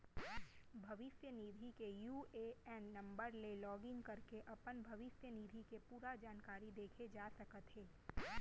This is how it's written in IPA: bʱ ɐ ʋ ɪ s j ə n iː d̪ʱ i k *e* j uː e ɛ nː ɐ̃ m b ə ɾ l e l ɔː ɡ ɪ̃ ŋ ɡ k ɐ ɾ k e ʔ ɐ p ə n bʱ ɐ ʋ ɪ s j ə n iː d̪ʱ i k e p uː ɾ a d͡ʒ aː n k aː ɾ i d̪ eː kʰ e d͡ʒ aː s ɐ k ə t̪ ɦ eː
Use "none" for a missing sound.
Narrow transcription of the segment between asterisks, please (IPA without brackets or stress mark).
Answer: e